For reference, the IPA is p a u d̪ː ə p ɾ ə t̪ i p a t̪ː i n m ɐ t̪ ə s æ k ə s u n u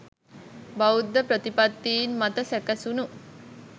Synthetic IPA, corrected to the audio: b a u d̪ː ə p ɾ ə t̪ i p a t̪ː iː n m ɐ t̪ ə s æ k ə s u n u